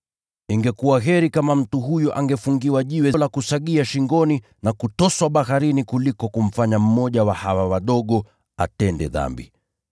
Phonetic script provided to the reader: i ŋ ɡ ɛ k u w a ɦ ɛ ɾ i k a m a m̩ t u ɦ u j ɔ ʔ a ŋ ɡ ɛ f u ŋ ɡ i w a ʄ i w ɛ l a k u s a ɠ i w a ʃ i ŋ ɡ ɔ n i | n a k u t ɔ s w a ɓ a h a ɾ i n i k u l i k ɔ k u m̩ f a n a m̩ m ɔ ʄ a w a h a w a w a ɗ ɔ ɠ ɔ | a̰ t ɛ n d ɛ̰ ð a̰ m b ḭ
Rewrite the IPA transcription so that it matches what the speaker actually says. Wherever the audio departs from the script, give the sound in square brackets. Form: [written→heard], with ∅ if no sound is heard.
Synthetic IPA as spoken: i ŋ ɡ ɛ k u w a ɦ ɛ ɾ i k a m a m̩ t u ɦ u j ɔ ʔ a ŋ ɡ ɛ f u ŋ ɡ i w a ʄ i w ɛ l a k u s a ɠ i [w→∅] a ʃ i ŋ ɡ ɔ n i | n a k u t ɔ s w a ɓ a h a ɾ i n i k u l i k ɔ k u m̩ f a [n→ɲ] a m̩ m ɔ ʄ a w a h a w a w a ɗ ɔ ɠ ɔ | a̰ t ɛ n d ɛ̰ ð a̰ m b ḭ